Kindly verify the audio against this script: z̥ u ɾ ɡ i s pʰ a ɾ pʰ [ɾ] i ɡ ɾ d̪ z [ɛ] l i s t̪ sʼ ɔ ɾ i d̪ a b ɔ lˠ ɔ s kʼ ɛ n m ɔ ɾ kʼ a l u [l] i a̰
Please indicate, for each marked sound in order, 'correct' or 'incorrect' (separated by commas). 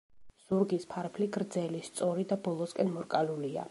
incorrect, correct, correct